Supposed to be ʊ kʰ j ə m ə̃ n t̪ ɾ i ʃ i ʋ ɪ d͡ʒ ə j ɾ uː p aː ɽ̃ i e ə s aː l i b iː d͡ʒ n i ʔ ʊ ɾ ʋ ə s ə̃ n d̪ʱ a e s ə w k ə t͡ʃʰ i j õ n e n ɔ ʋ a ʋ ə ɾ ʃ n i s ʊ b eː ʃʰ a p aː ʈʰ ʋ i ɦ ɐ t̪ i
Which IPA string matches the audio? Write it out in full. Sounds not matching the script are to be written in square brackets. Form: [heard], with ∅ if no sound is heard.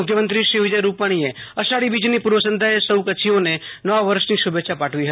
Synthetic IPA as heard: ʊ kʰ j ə m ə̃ n t̪ ɾ i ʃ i ʋ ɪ d͡ʒ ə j ɾ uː p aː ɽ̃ i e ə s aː [ɽ] i b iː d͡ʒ n i [p] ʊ ɾ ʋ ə s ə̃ n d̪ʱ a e s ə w k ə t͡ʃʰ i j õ n e n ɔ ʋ a ʋ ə ɾ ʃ n i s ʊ b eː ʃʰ a p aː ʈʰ ʋ i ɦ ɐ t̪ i